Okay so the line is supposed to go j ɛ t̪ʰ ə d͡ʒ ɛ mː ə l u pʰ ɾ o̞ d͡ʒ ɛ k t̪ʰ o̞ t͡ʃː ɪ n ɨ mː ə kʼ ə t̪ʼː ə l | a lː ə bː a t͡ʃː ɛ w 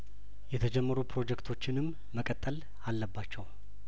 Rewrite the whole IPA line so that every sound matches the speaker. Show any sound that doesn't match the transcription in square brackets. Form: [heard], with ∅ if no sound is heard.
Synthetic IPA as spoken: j ɛ t̪ʰ ə d͡ʒ ɛ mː ə [ɾ] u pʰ ɾ o̞ d͡ʒ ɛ k t̪ʰ o̞ t͡ʃː ɪ n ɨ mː ə kʼ ə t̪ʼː ə l | a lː ə bː a t͡ʃː ɛ w